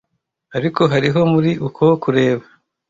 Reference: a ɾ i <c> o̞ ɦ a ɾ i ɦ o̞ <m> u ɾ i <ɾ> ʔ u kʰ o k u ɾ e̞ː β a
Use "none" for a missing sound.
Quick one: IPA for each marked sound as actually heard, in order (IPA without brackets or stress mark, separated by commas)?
k, m, none